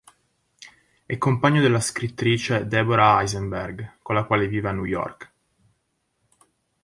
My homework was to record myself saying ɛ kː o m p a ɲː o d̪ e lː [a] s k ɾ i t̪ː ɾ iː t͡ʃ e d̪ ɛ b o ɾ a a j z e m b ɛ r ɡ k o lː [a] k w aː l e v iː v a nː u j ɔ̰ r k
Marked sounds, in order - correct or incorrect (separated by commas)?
correct, correct